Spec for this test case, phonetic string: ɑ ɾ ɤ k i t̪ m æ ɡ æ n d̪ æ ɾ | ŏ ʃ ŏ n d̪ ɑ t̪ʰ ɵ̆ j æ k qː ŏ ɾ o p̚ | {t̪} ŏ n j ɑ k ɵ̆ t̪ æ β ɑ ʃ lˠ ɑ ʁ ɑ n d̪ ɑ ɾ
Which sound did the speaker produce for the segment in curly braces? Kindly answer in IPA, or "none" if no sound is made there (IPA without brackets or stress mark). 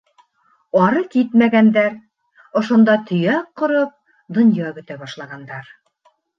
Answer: d̪